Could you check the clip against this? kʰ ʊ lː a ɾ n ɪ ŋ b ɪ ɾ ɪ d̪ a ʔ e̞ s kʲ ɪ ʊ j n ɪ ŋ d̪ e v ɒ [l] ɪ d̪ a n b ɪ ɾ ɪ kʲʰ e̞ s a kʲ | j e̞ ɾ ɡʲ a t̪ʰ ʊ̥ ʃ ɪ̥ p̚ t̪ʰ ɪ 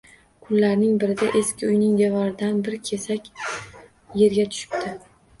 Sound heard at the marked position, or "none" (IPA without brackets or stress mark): ɾ